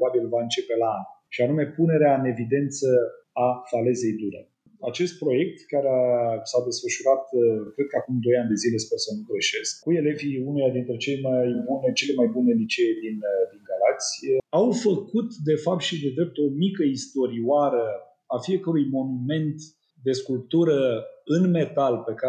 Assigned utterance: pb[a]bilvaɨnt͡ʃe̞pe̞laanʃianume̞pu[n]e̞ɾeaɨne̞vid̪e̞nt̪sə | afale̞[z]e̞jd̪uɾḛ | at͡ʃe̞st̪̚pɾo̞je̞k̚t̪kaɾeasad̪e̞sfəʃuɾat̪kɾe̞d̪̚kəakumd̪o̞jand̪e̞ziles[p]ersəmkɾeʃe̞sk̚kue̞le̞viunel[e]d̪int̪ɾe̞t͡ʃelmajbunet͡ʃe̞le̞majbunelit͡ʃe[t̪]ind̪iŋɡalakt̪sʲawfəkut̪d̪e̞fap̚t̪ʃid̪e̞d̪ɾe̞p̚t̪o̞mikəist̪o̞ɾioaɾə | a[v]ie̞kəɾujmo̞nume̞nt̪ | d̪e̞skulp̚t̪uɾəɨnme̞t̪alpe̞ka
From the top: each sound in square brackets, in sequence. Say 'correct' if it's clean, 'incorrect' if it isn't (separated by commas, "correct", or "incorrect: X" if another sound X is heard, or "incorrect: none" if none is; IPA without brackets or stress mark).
correct, correct, correct, correct, incorrect: a, incorrect: d̪, incorrect: f